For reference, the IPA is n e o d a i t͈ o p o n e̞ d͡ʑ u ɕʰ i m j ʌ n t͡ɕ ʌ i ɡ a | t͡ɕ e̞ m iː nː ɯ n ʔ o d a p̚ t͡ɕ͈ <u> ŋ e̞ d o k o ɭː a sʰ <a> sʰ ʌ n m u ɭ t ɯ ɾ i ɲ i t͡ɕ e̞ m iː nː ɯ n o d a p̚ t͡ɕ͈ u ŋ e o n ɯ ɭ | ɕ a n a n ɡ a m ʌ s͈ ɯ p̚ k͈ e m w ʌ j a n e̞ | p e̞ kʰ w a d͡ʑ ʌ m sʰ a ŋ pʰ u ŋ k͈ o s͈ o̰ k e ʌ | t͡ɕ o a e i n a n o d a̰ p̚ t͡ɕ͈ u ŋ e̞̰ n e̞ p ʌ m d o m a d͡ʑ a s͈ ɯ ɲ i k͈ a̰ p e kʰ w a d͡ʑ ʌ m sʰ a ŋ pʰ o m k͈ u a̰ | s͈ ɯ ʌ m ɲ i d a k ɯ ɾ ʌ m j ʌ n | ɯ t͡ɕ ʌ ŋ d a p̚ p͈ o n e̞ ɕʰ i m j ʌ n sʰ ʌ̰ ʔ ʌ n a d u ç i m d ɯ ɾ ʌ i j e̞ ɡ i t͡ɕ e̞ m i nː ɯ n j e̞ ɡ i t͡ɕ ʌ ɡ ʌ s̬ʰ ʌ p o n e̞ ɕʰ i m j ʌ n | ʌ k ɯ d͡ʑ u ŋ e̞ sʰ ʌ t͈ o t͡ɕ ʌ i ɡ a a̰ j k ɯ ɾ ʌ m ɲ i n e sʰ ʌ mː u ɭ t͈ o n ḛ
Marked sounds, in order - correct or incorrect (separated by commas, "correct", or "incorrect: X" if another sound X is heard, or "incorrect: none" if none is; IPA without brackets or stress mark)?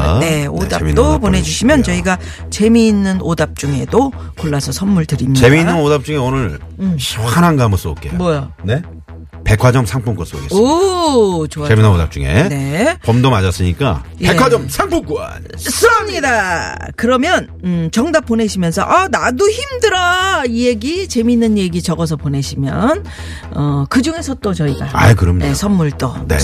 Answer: correct, incorrect: ʌ